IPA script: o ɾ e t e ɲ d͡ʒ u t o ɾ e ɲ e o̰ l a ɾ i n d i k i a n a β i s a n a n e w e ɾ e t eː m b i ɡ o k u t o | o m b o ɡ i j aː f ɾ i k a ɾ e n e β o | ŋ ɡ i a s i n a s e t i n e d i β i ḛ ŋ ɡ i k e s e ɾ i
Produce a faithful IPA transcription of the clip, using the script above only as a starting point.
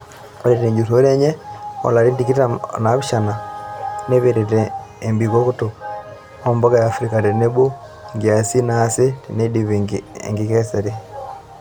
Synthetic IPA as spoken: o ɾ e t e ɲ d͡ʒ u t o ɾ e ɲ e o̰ l a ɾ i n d i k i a n a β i ʃ a n a n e β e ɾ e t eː m b i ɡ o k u t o | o m b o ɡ a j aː f ɾ i k a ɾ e n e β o | ŋ ɡ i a s i n a s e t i n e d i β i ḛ ŋ ɡ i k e s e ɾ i